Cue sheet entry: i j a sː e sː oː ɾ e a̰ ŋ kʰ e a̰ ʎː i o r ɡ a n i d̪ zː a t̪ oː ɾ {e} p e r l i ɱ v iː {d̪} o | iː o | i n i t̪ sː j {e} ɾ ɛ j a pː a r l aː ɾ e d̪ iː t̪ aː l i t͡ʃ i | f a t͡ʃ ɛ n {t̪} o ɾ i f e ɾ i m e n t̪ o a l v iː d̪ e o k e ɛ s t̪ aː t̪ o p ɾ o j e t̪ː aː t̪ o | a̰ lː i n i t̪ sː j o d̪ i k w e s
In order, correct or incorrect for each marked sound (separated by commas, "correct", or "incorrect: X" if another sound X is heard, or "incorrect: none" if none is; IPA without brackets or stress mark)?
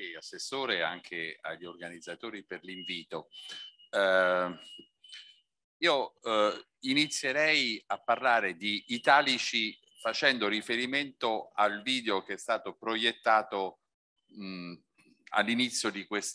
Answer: incorrect: i, incorrect: t̪, correct, incorrect: d̪